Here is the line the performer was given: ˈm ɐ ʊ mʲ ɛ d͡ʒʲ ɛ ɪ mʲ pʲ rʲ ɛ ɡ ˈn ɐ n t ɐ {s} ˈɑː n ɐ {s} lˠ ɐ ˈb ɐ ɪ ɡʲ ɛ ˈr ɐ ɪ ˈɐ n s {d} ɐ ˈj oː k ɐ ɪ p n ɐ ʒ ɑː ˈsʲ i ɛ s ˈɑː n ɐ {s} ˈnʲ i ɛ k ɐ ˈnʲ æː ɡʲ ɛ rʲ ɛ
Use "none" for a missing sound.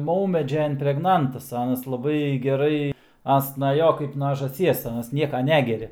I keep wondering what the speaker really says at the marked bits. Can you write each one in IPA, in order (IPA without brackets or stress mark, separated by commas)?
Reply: s, s, n, s